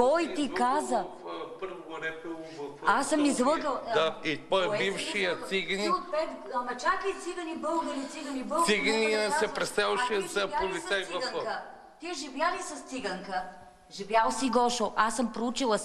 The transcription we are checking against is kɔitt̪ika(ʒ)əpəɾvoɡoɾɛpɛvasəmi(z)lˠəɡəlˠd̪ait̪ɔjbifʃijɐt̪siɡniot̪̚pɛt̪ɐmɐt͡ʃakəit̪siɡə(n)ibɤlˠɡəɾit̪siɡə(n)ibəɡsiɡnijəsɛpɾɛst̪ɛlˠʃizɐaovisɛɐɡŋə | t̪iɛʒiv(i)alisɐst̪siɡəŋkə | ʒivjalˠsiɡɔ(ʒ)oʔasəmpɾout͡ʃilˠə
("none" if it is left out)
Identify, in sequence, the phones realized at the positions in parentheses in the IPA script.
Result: z, z, n, n, j, ʃ

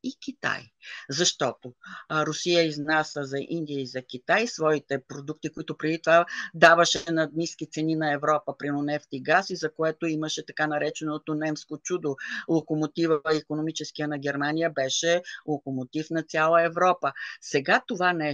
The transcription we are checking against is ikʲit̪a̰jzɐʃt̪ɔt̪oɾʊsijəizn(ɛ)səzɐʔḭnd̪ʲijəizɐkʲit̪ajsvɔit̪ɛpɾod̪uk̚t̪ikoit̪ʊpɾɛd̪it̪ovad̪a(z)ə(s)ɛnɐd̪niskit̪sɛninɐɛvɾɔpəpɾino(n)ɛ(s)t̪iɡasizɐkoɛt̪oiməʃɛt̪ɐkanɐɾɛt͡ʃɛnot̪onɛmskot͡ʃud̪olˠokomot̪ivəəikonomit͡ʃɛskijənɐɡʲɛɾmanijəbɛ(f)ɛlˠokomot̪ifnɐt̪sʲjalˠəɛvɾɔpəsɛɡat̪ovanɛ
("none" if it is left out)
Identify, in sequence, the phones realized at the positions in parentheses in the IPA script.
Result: a, v, ʃ, n, f, ʃ

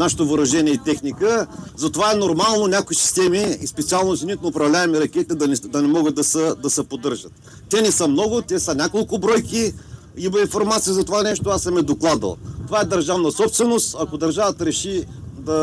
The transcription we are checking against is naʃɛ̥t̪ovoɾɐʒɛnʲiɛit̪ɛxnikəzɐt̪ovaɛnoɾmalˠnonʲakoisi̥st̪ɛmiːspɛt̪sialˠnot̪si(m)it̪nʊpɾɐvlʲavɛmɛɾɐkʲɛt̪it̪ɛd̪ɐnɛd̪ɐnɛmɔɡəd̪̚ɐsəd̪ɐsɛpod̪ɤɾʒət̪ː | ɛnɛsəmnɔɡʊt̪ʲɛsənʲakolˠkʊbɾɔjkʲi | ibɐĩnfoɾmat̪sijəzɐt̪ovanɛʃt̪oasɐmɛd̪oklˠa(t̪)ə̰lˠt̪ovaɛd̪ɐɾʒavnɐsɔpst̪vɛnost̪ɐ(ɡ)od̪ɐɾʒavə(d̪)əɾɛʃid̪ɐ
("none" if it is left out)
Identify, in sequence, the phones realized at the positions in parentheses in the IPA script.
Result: n, d̪, k, t̪

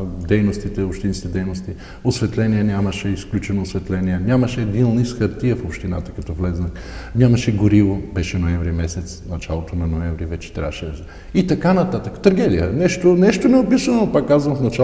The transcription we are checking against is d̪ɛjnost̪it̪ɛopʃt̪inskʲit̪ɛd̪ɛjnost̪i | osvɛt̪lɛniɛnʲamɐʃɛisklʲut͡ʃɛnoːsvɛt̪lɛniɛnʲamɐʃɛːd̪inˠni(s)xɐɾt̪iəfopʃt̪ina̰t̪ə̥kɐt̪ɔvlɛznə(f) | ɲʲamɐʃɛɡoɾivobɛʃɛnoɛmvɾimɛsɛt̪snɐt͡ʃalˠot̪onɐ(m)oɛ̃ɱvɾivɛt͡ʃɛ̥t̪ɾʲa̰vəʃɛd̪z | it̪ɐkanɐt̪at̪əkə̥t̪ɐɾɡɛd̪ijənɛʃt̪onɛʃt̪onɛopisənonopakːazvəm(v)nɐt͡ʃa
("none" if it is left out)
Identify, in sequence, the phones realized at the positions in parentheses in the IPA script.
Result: s, x, n, f

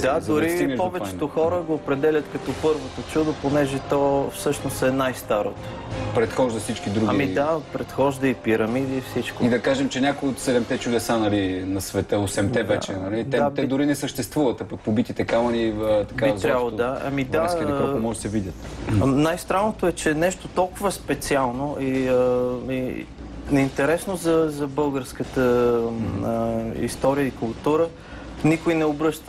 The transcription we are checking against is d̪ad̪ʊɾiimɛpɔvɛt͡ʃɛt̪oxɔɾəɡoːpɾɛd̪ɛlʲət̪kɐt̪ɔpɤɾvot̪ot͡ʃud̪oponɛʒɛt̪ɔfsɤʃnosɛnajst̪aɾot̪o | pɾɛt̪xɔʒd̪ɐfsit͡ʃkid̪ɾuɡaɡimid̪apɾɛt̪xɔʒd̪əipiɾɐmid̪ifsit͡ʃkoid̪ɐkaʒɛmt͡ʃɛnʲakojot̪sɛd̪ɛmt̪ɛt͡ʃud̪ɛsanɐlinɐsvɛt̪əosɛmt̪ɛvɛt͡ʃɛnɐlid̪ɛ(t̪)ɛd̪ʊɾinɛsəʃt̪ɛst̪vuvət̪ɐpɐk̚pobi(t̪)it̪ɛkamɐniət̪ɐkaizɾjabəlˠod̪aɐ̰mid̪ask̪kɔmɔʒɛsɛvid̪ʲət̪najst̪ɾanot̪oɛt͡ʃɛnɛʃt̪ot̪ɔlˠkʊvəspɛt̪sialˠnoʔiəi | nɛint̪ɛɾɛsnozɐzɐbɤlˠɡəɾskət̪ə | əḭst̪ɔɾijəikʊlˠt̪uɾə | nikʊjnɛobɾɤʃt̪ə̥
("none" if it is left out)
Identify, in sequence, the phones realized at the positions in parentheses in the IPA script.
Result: t̪, t̪

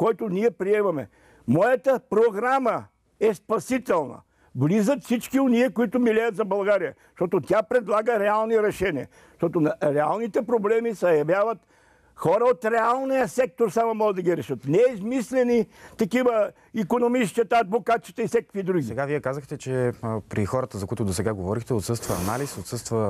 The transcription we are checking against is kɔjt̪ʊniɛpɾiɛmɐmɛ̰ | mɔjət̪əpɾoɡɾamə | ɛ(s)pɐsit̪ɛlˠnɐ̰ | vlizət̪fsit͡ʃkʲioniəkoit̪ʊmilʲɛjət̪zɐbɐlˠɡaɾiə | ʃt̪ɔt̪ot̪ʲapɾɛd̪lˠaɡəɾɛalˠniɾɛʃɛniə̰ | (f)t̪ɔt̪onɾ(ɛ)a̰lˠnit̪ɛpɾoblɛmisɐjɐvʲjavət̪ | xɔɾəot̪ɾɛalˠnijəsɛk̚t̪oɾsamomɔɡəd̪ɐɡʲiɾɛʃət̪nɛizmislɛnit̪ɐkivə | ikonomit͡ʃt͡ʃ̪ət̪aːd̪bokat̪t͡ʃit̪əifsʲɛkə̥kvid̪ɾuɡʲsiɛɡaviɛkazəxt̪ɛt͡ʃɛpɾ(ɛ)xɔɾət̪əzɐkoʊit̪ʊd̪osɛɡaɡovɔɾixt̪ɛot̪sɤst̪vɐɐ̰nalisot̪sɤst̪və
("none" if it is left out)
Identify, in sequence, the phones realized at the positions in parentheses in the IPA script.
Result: s, ʃ, ɛ, i

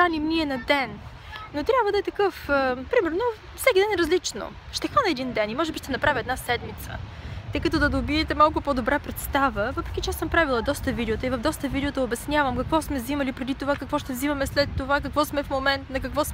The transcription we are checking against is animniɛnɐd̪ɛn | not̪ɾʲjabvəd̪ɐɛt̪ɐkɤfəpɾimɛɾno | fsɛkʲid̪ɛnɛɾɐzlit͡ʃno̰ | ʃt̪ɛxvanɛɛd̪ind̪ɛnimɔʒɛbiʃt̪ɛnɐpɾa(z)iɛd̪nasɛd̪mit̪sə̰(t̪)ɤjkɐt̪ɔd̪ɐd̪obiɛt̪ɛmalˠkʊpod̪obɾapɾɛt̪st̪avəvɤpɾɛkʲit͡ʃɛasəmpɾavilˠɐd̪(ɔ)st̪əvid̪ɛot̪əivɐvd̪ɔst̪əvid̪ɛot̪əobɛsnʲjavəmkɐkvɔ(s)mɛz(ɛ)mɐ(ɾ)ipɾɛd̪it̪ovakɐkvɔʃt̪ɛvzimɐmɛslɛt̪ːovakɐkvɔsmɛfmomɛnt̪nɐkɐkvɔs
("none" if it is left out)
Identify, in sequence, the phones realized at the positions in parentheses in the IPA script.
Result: v, t̪, ɔ, s, i, l

